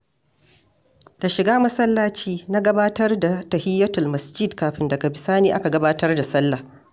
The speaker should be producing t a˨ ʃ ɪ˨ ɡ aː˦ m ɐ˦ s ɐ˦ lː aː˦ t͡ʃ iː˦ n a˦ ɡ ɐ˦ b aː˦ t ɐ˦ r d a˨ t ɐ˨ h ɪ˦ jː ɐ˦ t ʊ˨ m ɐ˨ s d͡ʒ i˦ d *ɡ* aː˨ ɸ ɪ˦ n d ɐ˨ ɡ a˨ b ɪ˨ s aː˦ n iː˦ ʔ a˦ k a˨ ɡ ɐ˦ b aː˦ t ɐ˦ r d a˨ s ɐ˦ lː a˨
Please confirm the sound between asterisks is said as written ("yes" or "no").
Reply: no